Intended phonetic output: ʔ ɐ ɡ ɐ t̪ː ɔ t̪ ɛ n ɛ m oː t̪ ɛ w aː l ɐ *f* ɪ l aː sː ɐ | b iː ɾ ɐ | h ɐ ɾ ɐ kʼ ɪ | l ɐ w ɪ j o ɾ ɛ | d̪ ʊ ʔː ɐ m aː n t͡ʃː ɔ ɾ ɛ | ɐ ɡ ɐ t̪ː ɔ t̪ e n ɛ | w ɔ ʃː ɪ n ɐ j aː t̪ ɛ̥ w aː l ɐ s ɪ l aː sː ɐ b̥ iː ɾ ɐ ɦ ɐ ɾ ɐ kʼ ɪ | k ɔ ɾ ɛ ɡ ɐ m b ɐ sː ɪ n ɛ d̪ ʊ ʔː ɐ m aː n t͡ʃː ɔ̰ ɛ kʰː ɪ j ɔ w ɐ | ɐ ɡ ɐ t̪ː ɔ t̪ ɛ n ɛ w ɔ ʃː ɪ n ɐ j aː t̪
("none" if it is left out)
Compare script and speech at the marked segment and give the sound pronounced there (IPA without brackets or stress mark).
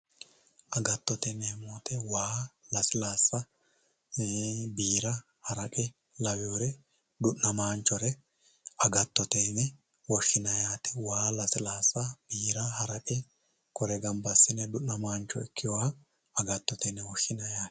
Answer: s